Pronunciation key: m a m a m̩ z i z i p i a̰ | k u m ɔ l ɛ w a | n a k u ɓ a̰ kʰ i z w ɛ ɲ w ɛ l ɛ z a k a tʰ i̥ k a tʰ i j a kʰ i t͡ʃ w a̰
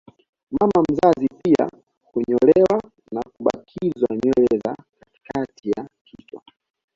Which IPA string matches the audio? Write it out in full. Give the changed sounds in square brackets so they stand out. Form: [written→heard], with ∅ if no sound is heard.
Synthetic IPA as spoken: m a m a m̩ z [i→a] z i p i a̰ | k u [m→ɲ] ɔ l ɛ w a | n a k u ɓ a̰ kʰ i z w [ɛ→a] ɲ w ɛ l ɛ z a k a [tʰ→t] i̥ k a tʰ i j a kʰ i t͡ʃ w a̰